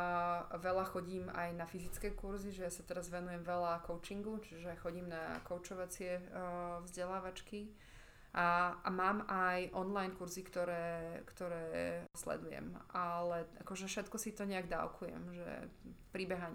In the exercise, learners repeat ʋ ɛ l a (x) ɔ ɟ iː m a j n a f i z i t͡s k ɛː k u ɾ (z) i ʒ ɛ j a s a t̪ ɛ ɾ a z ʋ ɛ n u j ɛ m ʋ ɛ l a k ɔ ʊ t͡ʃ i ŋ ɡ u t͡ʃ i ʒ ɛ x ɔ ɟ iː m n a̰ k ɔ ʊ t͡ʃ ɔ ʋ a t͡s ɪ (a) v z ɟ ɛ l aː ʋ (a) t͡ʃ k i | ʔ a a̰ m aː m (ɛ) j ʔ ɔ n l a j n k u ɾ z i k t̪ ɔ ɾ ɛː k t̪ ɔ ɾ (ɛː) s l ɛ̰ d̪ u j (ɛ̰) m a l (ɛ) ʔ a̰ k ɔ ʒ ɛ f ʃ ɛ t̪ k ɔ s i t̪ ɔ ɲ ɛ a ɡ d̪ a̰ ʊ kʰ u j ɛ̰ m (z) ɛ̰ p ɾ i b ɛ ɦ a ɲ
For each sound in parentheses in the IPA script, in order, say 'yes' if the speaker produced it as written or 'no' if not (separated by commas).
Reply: yes, yes, no, yes, no, yes, yes, yes, no